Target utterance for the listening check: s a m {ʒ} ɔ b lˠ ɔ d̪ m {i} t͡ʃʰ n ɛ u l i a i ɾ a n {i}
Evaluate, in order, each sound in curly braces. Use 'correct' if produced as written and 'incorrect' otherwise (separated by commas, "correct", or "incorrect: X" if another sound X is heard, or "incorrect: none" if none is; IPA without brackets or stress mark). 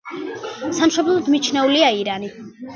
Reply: incorrect: ʃ, correct, correct